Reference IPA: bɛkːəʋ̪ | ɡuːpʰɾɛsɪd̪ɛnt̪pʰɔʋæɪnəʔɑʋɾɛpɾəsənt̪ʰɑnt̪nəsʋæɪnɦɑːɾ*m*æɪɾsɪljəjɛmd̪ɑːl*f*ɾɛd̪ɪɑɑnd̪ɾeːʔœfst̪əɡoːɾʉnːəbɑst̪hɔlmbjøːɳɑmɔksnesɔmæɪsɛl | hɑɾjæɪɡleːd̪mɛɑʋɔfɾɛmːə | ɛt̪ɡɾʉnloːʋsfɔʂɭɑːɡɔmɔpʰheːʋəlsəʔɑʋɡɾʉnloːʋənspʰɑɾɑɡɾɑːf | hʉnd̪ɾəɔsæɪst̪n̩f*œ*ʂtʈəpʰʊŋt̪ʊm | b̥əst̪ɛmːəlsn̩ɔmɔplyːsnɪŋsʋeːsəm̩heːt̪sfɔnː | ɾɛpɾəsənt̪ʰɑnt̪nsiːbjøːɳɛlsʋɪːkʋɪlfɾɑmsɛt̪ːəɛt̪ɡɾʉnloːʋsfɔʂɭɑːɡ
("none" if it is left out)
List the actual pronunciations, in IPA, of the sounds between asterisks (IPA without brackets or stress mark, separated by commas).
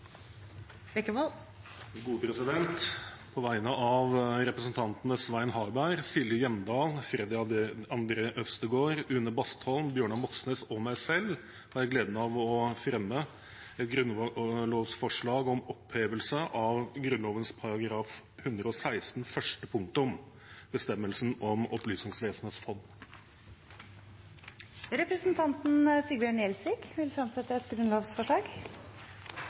b, f, œ